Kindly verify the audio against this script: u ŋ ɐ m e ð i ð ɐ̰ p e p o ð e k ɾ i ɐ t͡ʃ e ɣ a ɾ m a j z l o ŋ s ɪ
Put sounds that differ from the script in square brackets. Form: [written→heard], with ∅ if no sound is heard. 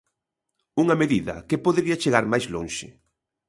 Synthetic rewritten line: u ŋ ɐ m e ð i ð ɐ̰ [p→k] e p o ð e [k→∅] ɾ i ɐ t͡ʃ e ɣ a ɾ m a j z l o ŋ [s→ʃ] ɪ